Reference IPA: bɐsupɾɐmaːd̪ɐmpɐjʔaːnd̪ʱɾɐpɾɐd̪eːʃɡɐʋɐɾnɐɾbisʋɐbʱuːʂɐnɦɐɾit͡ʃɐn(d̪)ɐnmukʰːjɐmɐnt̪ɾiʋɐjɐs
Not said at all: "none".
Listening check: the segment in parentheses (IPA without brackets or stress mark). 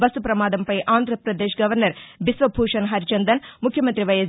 d̪